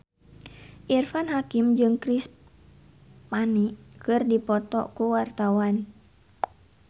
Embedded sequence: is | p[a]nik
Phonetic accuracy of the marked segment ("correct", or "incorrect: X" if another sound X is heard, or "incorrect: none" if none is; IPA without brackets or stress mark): correct